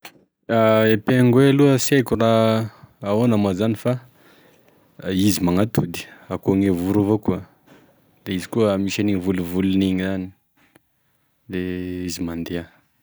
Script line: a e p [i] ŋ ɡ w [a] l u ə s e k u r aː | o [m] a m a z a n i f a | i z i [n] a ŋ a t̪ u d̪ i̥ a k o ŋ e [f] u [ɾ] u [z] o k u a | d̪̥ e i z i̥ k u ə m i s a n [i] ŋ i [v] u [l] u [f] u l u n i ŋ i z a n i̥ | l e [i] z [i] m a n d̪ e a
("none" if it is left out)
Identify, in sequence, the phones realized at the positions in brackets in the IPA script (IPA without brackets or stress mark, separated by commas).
e, e, n, m, v, ɾ, v, i, v, l, v, i, i